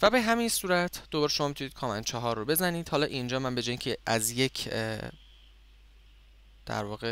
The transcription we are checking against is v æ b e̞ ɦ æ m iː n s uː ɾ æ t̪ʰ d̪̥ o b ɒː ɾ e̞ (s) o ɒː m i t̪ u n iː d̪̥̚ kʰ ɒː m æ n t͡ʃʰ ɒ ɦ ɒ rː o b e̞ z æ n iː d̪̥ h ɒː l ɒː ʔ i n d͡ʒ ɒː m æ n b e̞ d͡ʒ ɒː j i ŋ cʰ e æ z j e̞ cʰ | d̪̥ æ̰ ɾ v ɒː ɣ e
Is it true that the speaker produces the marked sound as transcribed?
no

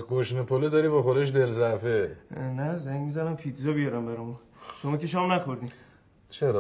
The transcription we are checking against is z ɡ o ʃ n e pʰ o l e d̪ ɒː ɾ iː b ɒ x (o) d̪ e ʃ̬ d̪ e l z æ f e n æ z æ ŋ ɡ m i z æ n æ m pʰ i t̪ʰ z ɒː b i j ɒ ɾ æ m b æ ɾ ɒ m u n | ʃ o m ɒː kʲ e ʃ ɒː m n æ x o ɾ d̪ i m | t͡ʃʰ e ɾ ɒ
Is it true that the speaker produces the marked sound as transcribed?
yes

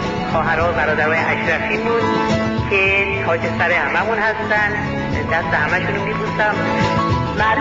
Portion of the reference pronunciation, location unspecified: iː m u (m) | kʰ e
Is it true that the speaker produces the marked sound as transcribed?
no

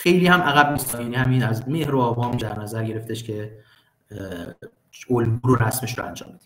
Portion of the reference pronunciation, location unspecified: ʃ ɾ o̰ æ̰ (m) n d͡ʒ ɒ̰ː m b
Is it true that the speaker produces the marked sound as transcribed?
no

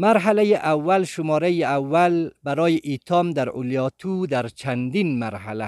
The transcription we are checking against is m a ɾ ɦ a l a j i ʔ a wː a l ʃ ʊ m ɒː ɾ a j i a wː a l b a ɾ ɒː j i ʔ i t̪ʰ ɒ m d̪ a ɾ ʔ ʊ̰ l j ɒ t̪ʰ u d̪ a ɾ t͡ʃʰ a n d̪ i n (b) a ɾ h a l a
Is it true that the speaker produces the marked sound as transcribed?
no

